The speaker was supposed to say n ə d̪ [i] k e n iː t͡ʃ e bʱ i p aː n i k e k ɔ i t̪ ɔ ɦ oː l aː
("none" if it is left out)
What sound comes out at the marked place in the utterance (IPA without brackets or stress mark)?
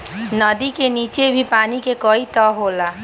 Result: i